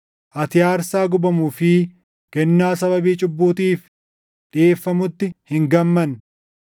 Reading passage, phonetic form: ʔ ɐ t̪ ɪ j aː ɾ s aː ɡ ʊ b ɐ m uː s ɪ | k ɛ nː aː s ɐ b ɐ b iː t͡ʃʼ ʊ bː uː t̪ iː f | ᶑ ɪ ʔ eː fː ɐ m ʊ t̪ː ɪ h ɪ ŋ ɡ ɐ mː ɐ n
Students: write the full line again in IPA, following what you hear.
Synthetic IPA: ʔ ɐ t̪ ɪ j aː ɾ s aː ɡ ʊ b ɐ m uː f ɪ | k ɛ nː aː s ɐ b ɐ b iː t͡ʃʼ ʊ bː uː t̪ iː f | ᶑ ɪ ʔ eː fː ɐ m ʊ t̪ː ɪ h ɪ ŋ ɡ ɐ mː ɐ n

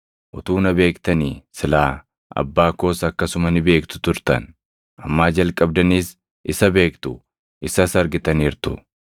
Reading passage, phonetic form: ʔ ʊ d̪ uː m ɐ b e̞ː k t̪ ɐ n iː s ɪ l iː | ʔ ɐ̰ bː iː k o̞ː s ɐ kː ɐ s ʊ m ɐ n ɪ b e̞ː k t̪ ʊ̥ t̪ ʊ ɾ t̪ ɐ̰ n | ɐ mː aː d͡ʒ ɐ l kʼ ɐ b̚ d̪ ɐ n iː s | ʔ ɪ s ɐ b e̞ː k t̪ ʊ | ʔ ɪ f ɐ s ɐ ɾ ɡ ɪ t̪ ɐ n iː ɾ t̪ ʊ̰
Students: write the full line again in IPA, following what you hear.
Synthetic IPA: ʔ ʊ t̪ uː n ɐ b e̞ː k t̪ ɐ n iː s ɪ l aː | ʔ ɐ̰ bː aː k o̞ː s ɐ kː ɐ s ʊ m ɐ n ɪ b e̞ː k t̪ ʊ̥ t̪ ʊ ɾ t̪ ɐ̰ n | ɐ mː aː d͡ʒ ɐ l kʼ ɐ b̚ d̪ ɐ n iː s | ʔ ɪ s ɐ b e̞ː k t̪ ʊ | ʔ ɪ s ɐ s ɐ ɾ ɡ ɪ t̪ ɐ n iː ɾ t̪ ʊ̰

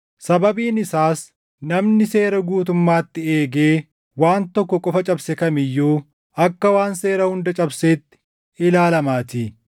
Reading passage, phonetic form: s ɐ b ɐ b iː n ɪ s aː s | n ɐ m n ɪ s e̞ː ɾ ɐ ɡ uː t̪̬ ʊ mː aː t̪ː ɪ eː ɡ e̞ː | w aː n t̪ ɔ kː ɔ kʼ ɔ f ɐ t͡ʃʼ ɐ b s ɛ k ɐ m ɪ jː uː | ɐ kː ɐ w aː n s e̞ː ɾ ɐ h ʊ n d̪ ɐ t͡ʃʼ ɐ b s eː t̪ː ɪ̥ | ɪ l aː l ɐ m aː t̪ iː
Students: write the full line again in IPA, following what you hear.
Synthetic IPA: s ɐ b ɐ b iː n ɪ s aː s | n ɐ m n ɪ s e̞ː ɾ ɐ ɡ uː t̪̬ ʊ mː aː t̪ː ɪ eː ɡ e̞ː | w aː n t̪ ɔ kː ɔ kʼ ɔ f ɐ t͡ʃʼ ɐ b s ɛ k ɐ m ɪ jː uː | ɐ kː ɐ w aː n s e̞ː ɾ ɐ h ʊ n d̪ ɐ t͡ʃʼ ɐ b s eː t̪ː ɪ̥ | ɪ l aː l ɐ m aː t̪ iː

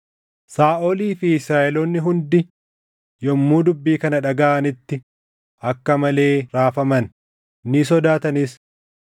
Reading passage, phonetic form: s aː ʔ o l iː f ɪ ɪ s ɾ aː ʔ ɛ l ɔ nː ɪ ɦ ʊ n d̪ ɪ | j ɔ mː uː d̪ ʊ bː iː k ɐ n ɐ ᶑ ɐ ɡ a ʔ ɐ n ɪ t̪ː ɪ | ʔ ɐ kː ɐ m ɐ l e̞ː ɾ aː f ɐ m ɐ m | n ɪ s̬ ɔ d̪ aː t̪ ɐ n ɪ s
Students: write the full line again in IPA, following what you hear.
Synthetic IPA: s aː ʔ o l iː f ɪ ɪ s ɾ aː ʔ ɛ l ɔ nː ɪ ɦ ʊ n d̪ ɪ | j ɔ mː uː d̪ ʊ bː iː k ɐ n ɐ ᶑ ɐ ɡ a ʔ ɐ n ɪ t̪ː ɪ | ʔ ɐ kː ɐ m ɐ l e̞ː ɾ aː f ɐ m ɐ n | n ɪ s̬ ɔ d̪ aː t̪ ɐ n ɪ s

